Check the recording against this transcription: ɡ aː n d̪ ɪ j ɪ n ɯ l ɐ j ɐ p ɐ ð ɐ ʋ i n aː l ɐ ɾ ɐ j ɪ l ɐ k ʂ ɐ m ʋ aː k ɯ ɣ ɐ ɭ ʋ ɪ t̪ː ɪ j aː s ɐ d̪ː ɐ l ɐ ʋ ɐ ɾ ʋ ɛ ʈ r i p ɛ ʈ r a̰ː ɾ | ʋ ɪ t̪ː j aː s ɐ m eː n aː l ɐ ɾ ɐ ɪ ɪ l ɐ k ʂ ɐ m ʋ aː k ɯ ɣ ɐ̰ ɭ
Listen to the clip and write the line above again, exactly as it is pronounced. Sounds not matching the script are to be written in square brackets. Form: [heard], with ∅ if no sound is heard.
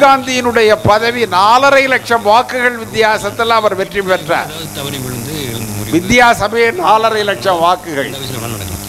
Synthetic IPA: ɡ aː n d̪ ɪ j ɪ n ɯ [ɽ] ɐ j ɐ p ɐ ð ɐ ʋ i n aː l ɐ ɾ ɐ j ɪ l ɐ k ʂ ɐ m ʋ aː k ɯ ɣ ɐ ɭ ʋ ɪ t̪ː ɪ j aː s ɐ [t̪ː] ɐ l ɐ ʋ ɐ ɾ ʋ ɛ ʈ r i p ɛ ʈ r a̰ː ɾ | ʋ ɪ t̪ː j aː s ɐ m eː n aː l ɐ ɾ ɐ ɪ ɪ l ɐ k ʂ ɐ m ʋ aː k ɯ ɣ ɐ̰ ɭ